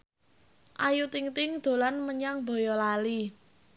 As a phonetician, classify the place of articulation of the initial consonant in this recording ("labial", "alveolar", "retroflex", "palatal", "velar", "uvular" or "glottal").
glottal